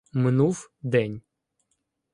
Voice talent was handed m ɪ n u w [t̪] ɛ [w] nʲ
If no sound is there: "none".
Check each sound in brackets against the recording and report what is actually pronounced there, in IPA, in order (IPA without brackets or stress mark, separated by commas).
d̪, none